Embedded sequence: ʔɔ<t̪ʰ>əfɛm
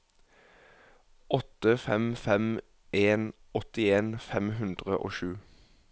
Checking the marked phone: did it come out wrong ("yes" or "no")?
yes